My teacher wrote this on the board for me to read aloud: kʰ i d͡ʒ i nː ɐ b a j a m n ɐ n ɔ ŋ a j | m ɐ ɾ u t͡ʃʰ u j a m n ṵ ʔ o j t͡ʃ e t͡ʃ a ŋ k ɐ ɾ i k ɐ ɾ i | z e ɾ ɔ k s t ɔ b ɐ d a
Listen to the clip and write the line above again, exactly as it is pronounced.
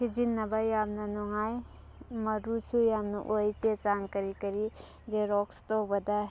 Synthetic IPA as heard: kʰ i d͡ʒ i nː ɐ b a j a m n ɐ n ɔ ŋ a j | m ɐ ɾ u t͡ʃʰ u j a m n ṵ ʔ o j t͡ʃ e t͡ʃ a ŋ k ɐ ɾ i k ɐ ɾ i | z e ɾ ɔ k s t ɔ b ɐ d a